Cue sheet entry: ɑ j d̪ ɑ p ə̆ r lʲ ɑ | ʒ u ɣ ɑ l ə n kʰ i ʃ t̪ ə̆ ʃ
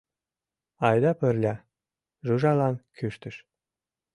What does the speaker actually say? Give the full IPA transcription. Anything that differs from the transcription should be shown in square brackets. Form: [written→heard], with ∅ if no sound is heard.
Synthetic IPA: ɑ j d̪ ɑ p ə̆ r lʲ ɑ | ʒ u [ɣ→ʒ] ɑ l [ə→ɑ] n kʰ [i→y] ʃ t̪ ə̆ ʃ